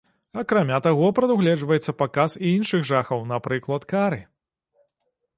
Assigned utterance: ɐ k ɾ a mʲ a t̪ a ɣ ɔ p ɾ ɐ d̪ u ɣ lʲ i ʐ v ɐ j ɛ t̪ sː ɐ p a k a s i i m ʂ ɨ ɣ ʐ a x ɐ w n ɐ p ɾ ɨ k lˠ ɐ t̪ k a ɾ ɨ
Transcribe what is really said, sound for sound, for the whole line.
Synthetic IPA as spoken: ɐ k ɾ a mʲ a t̪ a ɣ ɔ p ɾ ɐ d̪ u ɣ lʲ ɛ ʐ v ɐ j ɛ t̪ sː ɐ p a k a s i i n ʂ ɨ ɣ ʐ a x ɐ w n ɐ p ɾ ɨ k lˠ ɐ t̪ k a ɾ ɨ